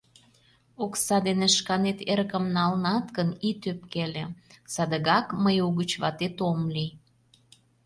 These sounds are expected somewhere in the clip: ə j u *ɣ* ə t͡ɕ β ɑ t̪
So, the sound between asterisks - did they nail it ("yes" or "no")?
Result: yes